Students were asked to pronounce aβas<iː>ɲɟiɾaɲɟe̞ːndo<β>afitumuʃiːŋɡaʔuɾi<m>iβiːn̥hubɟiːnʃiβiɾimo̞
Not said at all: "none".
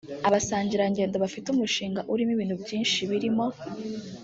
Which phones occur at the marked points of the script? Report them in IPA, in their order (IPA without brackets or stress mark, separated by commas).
aː, β, m